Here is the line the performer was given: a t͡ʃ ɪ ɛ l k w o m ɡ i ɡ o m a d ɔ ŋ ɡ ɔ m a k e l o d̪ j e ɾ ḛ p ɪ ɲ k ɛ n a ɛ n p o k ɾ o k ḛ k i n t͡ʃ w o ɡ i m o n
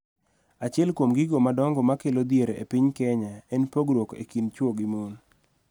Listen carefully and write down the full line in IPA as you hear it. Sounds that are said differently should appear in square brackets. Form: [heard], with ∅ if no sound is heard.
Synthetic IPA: a t͡ʃ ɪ ɛ l k w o m ɡ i ɡ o m a d ɔ ŋ ɡ ɔ m a k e l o d̪ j e ɾ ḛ p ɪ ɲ k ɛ [ɲ] a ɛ n p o [ɡ] ɾ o k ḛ k i n t͡ʃ w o ɡ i m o n